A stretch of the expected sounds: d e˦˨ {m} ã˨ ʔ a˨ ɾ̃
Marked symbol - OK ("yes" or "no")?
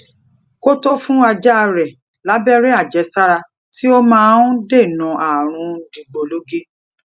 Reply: no